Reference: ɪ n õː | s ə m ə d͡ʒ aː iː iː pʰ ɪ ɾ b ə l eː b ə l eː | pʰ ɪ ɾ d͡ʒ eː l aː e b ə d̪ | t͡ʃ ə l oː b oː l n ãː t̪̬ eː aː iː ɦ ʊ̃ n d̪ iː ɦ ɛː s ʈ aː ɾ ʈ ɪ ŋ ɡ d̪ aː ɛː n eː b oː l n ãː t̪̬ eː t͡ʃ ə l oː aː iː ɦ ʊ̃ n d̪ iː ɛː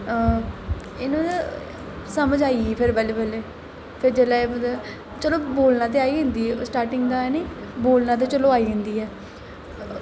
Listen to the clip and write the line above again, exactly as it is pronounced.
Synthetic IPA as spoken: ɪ n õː | s ə m ə d͡ʒ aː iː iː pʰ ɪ ɾ b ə l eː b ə l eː | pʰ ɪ ɾ d͡ʒ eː l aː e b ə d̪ | t͡ʃ ə l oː b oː l n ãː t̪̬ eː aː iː ɦ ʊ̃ n d̪ iː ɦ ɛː s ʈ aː ɾ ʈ ɪ ŋ ɡ d̪ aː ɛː n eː b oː l n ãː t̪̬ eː t͡ʃ ə l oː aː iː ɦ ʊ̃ n d̪ iː ɛː